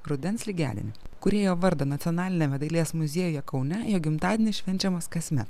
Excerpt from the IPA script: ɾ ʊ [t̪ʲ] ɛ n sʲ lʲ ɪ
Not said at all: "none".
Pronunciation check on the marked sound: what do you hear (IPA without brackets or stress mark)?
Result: d̪ʲ